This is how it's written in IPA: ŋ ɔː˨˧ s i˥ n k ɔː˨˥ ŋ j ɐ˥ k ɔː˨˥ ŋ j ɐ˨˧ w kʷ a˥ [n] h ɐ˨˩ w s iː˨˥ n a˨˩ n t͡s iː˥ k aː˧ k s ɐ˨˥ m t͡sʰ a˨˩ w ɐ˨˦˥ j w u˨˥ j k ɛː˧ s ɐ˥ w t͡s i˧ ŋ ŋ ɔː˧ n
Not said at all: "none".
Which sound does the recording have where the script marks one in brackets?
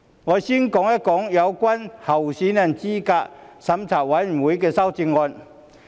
n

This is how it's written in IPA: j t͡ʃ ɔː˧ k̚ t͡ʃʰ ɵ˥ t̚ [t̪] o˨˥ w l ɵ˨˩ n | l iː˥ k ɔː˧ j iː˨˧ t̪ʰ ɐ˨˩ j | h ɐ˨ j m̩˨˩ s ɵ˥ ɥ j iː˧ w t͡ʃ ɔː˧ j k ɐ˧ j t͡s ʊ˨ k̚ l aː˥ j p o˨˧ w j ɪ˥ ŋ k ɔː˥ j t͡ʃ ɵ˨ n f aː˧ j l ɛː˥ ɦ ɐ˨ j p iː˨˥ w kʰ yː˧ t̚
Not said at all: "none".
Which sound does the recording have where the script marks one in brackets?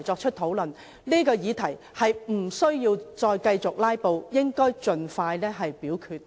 t̪ʰ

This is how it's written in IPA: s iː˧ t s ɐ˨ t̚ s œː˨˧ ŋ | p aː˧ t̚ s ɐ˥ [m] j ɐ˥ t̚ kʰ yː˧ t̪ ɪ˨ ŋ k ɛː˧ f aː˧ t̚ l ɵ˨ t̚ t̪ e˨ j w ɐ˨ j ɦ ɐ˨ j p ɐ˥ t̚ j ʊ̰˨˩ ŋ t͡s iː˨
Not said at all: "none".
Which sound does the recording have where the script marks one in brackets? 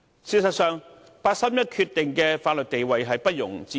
m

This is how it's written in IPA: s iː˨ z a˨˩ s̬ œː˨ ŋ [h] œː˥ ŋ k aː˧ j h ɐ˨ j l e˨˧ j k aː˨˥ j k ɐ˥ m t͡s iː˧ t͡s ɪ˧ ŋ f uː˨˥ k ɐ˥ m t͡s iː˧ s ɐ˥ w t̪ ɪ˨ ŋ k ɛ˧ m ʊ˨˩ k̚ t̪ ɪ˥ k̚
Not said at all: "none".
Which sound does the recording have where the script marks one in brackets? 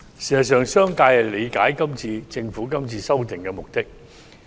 s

